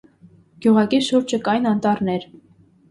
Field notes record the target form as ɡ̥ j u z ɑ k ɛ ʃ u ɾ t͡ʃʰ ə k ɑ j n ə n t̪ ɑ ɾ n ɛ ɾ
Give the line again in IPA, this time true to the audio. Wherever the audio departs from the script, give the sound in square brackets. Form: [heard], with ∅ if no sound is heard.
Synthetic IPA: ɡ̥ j u [ʁ] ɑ k [i] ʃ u ɾ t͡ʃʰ ə k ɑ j n [ɑ] n t̪ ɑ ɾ n ɛ ɾ